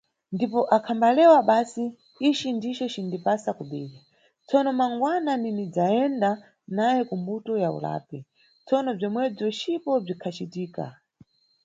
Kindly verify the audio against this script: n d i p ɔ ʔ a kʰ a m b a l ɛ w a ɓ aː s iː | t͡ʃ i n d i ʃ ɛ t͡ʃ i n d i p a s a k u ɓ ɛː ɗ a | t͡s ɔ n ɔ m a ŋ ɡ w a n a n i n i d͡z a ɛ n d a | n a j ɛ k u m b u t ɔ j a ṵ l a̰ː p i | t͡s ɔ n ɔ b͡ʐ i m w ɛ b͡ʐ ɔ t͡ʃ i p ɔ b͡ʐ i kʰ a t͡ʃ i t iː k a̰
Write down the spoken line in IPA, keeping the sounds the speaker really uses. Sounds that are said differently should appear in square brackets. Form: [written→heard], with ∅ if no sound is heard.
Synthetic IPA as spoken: n d i p ɔ ʔ a kʰ a m b a l ɛ w a ɓ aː s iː | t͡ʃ i n d i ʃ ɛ t͡ʃ i n d i p a s a k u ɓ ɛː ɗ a | t͡s ɔ n ɔ m a ŋ ɡ w a n a n i n i d͡z a ɛ n d a | n a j ɛ k u m b u t ɔ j a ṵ l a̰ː p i | t͡s ɔ n ɔ b͡ʐ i m w ɛ b͡ʐ ɔ t͡ʃ i p ɔ b͡ʐ i kʰ a t͡ʃ i t iː k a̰